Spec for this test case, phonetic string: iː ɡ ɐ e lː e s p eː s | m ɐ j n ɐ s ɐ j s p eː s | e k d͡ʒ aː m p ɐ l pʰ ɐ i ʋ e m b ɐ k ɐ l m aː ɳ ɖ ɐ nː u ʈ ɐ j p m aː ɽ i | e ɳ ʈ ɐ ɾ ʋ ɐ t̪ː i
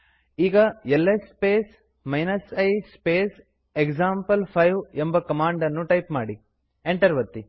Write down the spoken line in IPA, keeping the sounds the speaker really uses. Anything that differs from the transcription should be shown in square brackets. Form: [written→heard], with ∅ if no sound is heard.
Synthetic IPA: iː ɡ ɐ e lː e s p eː s | m ɐ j n ɐ s ɐ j s p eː s | e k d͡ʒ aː m p ɐ l pʰ ɐ [i→j] ʋ e m b ɐ k ɐ [l→∅] m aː ɳ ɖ ɐ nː u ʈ ɐ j p m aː ɽ i | e ɳ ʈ ɐ ɾ ʋ ɐ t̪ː i

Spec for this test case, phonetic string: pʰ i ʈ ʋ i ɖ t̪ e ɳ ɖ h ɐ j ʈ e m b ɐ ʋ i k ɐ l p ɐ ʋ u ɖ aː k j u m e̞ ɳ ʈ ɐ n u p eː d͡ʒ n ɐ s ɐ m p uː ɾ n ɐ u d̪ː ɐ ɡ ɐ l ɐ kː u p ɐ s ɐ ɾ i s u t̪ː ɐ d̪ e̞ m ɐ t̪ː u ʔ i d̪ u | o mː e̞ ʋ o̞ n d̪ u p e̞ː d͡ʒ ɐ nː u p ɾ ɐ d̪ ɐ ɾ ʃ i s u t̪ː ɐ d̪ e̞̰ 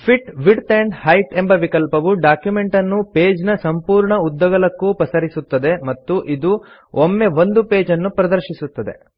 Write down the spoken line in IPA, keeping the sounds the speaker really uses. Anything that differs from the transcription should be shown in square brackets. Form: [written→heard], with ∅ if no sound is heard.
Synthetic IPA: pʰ i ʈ ʋ i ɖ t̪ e ɳ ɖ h ɐ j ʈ e m b ɐ ʋ i k ɐ l p ɐ ʋ u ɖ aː k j u m e̞ ɳ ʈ ɐ [n→nː] u p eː d͡ʒ n ɐ s ɐ m p uː ɾ [n→ɳ] ɐ u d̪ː ɐ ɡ ɐ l ɐ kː u p ɐ s ɐ ɾ i s u t̪ː ɐ d̪ e̞ m ɐ t̪ː u ʔ i d̪ u | o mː e̞ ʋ o̞ n d̪ u p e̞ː d͡ʒ ɐ nː u p ɾ ɐ d̪ ɐ ɾ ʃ i s u t̪ː ɐ d̪ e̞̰

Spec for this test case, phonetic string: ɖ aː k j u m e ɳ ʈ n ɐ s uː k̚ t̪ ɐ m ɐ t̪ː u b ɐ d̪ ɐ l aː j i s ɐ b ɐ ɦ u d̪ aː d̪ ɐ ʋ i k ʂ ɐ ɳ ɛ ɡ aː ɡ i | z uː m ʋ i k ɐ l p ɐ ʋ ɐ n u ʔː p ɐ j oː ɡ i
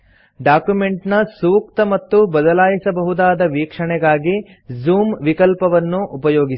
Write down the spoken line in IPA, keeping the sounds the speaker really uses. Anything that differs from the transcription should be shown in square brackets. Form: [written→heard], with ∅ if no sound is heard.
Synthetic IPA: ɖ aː k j u m e ɳ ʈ n ɐ s uː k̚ t̪ ɐ m ɐ t̪ː u b ɐ d̪ ɐ l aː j i s ɐ b ɐ ɦ u d̪ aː d̪ ɐ ʋ [i→iː] k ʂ ɐ ɳ ɛ ɡ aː ɡ i | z uː m ʋ i k ɐ l p ɐ ʋ ɐ [n→nː] u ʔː p ɐ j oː ɡ i

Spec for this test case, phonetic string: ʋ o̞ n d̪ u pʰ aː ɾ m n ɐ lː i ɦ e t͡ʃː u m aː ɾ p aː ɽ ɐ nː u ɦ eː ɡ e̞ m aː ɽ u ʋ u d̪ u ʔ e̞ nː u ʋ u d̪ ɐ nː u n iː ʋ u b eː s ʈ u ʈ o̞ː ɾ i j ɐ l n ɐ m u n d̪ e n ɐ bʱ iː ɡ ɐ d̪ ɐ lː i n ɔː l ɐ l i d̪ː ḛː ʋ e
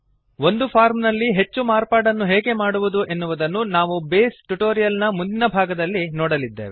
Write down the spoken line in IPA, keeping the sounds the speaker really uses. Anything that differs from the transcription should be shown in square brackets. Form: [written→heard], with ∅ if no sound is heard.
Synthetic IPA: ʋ o̞ n d̪ u pʰ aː ɾ m n ɐ lː i ɦ e t͡ʃː u m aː ɾ p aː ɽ ɐ nː u ɦ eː ɡ e̞ m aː ɽ u ʋ u d̪ u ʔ e̞ nː u ʋ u d̪ ɐ nː u n [iː→aː] ʋ u b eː s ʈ u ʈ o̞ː ɾ i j ɐ l n ɐ m u n d̪ [e→i] n ɐ bʱ [iː→aː] ɡ ɐ d̪ ɐ lː i n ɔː [l→ɽ] ɐ l i d̪ː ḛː ʋ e

